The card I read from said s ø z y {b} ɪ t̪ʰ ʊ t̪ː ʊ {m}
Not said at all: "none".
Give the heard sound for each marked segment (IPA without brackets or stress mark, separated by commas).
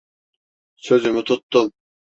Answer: m, m